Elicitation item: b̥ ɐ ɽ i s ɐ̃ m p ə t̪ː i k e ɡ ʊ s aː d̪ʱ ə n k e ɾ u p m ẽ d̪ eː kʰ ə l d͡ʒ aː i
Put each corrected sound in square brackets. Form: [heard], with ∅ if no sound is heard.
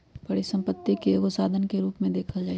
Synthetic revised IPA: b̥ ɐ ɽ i s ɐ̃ m p ə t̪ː i k e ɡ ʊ s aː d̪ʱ ə n k e ɾ [uː] p m ẽ d̪ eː kʰ ə l d͡ʒ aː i